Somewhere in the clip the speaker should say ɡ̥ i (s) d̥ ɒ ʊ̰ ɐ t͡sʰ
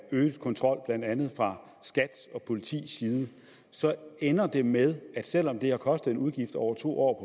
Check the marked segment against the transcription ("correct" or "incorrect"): incorrect